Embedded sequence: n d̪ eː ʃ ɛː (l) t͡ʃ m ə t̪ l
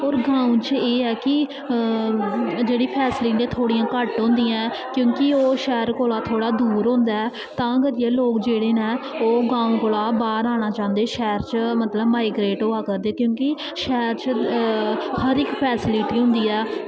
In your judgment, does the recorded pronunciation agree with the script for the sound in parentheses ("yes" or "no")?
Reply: no